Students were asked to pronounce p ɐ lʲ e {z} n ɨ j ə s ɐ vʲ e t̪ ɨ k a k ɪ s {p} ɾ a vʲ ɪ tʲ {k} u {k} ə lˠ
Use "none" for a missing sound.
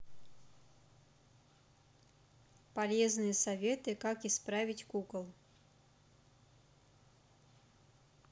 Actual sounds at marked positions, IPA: z, p, k, k

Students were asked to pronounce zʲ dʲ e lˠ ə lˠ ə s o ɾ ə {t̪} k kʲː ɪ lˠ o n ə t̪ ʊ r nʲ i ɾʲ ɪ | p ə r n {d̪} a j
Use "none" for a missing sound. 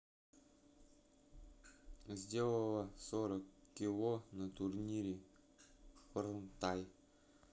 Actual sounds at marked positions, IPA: none, t̪

